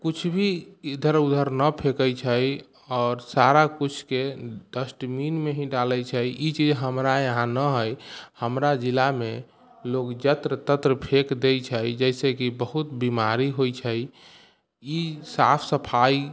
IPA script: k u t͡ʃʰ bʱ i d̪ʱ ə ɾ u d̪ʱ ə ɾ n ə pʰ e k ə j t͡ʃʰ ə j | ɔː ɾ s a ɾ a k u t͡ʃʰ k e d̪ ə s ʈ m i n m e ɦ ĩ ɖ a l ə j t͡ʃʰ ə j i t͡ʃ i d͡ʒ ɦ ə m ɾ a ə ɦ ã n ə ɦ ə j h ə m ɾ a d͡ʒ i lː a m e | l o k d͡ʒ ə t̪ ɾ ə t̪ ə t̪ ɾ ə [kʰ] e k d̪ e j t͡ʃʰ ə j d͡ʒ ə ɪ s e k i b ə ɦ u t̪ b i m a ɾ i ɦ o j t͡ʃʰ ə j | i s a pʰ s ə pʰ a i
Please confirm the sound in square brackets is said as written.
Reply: no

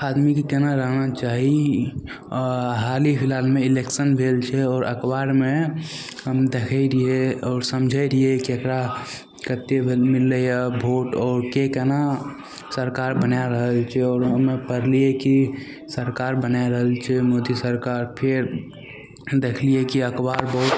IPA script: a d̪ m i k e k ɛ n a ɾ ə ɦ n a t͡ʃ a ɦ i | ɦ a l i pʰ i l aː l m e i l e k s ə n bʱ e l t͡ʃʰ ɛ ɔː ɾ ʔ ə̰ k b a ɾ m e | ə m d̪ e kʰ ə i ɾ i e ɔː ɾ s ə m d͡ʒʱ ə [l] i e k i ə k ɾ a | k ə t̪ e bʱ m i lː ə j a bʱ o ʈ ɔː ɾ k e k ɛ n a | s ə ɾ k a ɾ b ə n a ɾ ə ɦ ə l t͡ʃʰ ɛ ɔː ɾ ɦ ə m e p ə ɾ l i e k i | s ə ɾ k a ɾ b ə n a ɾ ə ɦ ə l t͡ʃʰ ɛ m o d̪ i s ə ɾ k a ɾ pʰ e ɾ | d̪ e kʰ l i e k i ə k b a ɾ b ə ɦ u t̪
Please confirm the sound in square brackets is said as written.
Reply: no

